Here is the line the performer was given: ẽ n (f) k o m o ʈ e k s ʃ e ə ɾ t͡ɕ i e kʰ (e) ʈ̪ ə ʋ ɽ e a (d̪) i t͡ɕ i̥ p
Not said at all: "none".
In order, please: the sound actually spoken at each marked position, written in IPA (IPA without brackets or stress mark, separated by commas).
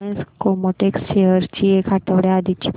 s, a, d̪